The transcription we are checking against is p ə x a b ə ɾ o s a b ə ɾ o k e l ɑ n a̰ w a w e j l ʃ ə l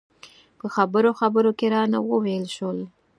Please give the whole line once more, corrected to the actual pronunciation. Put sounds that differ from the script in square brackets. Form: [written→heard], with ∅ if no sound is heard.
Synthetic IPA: p ə x a b ə ɾ o [s→x] a b ə ɾ o k e [l→ɾ] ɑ n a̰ w [a→ə] w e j l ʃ ə l